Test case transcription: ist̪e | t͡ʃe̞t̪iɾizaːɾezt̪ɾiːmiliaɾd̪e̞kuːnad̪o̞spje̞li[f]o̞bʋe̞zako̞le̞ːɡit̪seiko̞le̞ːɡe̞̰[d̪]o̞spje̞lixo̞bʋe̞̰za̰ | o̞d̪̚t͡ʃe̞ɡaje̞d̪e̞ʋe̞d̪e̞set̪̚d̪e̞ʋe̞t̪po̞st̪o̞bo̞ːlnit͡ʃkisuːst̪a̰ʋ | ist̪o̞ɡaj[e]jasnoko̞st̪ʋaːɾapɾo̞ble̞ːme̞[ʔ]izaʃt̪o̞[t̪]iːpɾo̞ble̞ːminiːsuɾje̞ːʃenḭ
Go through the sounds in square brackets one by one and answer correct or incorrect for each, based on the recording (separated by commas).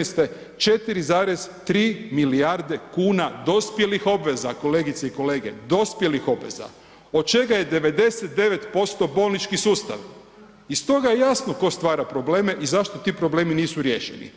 incorrect, correct, correct, correct, correct